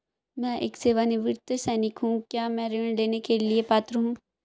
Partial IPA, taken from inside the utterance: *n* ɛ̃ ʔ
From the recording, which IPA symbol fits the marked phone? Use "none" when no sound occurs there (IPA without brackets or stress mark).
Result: m